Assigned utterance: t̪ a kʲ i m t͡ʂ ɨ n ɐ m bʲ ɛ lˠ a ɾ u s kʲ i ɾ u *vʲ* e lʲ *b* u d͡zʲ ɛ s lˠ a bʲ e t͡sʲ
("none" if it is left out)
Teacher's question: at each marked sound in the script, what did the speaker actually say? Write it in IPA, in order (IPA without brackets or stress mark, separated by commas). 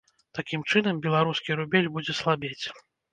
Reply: bʲ, b